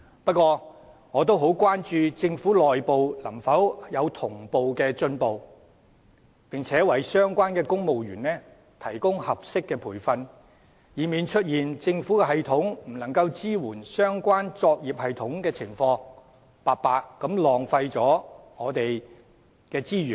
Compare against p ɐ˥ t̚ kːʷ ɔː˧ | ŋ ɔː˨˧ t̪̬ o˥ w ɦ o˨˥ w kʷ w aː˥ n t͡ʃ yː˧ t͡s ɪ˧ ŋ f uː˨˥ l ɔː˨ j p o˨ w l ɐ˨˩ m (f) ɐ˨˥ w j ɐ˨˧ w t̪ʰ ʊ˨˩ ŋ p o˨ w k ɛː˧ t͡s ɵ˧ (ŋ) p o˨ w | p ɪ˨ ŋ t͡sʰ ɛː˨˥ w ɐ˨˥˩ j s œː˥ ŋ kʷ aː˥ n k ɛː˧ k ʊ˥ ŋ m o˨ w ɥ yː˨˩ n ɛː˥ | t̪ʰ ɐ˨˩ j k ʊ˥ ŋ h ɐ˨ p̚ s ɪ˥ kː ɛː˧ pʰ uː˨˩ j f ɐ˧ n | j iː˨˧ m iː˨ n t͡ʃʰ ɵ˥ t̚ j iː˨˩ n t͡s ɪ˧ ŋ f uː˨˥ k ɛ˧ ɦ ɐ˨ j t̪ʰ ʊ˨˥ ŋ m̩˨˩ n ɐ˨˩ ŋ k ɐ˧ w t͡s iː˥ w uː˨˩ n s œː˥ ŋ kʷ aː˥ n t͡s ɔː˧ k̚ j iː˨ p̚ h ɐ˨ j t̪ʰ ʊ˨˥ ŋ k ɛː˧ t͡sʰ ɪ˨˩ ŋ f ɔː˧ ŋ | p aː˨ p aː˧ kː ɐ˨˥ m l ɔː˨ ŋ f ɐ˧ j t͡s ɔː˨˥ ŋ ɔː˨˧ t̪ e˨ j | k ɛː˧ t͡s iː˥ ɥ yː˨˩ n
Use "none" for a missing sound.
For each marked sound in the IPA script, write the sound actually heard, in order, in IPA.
f, n

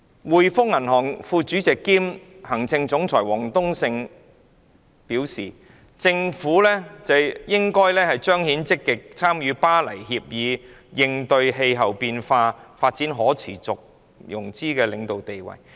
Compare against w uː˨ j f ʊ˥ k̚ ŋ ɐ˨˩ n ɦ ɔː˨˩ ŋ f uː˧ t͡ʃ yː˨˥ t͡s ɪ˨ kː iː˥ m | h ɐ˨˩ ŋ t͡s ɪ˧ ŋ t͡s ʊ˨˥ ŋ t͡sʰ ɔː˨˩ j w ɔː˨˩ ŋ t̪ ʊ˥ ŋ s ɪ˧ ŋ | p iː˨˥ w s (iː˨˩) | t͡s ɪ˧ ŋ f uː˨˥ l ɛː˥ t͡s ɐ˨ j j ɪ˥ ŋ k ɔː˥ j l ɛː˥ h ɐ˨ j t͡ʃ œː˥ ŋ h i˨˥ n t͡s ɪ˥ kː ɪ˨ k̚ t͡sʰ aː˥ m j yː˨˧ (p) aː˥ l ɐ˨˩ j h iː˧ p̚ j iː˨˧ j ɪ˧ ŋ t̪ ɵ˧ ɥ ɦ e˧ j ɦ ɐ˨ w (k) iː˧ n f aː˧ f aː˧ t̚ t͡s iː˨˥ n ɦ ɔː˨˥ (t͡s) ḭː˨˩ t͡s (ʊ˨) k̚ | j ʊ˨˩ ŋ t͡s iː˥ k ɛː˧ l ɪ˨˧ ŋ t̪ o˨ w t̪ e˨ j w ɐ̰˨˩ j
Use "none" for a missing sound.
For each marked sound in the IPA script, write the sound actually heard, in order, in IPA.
iː˨˩, p, p, t͡sʰ, ʊ˨

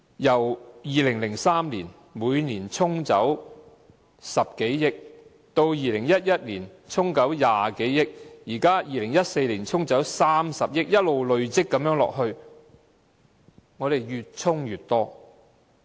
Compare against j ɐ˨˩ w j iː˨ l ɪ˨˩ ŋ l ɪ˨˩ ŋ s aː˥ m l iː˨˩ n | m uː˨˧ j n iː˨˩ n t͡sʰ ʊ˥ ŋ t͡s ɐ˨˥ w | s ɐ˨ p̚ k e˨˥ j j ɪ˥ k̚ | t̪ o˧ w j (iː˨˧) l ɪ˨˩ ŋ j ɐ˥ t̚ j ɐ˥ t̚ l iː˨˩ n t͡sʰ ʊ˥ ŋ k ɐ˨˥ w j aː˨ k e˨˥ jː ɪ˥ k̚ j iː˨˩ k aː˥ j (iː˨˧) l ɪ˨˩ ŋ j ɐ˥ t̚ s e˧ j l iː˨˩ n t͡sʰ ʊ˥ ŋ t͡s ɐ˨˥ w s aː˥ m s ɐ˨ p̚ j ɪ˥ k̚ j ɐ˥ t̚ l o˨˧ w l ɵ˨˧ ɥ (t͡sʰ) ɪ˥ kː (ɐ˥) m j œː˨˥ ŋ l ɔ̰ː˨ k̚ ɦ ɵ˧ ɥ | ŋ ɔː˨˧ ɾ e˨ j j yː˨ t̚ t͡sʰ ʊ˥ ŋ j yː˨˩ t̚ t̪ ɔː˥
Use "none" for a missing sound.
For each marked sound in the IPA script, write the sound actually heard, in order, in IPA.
iː˨˧, iː˨˧, t͡s, ɐ˨˥

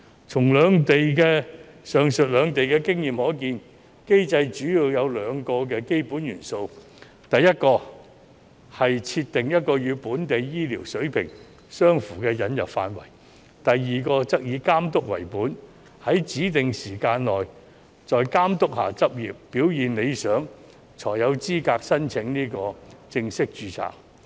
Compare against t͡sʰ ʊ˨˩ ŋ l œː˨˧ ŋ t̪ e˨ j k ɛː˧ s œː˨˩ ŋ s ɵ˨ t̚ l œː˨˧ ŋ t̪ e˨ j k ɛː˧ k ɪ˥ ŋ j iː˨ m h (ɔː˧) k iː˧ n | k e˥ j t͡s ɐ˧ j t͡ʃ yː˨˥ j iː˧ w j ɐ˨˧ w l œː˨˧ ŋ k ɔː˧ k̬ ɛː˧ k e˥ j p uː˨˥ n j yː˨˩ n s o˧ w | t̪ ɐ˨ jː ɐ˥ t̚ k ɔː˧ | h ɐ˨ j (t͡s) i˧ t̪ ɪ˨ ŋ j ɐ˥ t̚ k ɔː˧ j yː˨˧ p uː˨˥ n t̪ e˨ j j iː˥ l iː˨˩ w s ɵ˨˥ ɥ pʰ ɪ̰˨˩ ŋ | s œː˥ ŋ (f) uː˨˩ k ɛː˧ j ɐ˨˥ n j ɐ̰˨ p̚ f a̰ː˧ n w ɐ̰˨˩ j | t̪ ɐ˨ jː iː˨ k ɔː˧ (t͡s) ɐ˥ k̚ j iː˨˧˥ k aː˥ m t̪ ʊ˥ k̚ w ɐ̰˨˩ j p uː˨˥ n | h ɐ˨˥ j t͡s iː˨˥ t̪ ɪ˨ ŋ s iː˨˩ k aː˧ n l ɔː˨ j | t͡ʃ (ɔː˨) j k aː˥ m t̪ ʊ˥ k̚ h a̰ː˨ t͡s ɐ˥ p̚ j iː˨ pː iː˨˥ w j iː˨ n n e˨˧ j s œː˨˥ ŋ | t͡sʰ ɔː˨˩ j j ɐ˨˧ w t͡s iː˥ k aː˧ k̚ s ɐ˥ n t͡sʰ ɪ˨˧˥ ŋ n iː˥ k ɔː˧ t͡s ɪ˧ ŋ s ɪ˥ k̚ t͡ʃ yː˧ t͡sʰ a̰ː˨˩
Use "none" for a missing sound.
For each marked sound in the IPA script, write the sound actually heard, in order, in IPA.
ɔː˨˥, t͡sʰ, f, t͡s, ɔː˨

